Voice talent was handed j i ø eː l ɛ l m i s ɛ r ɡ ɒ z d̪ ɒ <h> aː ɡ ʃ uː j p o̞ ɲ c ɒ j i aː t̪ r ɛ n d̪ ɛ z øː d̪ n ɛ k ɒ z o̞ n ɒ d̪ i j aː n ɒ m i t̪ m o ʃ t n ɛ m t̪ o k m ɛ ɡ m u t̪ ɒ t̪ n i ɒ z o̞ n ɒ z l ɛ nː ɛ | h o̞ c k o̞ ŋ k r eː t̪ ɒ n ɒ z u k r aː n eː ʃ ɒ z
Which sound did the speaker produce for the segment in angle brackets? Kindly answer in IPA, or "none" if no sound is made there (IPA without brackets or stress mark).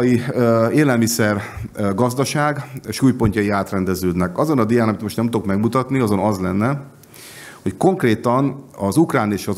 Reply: ʃ